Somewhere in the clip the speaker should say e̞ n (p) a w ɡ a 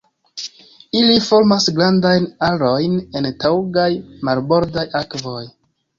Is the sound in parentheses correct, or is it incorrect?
incorrect